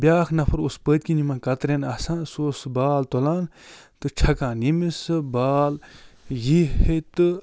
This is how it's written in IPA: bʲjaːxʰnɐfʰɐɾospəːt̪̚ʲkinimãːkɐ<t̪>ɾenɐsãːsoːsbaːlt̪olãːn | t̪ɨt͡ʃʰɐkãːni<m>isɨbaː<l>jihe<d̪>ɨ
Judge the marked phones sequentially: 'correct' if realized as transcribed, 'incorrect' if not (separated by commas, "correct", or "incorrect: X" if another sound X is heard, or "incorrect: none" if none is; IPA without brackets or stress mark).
correct, correct, correct, incorrect: t̪